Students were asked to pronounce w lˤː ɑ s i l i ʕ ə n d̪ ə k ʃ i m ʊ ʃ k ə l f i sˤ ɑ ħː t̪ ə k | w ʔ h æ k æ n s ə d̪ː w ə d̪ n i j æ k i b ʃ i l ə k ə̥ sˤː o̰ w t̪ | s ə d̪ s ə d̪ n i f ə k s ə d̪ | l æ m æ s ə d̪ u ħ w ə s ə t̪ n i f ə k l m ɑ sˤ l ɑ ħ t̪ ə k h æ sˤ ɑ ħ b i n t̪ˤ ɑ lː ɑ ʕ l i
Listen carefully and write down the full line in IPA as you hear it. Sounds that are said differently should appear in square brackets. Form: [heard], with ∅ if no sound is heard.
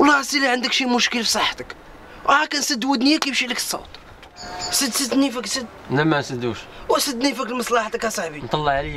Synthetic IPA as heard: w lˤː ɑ s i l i ʕ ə n d̪ ə k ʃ i m ʊ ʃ k ə l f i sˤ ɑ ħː t̪ ə k | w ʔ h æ k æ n s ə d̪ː w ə d̪ n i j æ k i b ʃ i l ə k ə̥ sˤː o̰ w t̪ | s ə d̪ s ə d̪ n i f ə k s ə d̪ | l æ m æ s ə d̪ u [ʃ] w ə s ə [d̪] n i f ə k l m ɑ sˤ l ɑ ħ t̪ ə k h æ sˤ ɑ ħ b i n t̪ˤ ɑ lː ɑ ʕ l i